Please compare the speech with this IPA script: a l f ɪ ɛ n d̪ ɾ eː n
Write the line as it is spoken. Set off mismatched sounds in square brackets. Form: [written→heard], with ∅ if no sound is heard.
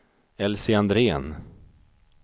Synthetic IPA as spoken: [a→ɛ] l [f→s] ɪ [ɛ→a] n d̪ ɾ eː n